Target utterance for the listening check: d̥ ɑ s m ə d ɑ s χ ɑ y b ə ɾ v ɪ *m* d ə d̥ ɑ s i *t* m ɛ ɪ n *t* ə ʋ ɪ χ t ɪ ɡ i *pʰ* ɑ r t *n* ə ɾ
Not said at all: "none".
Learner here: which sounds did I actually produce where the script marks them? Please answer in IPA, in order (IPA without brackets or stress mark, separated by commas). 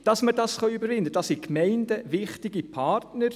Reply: n, k, d, pʰ, n